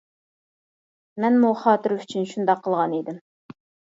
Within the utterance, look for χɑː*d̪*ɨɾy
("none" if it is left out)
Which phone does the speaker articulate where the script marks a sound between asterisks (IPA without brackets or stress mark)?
t̪